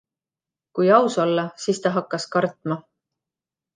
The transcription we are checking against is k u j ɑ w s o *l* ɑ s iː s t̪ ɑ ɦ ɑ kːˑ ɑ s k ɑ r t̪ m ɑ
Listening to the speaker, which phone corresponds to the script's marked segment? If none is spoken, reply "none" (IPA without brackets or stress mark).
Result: lː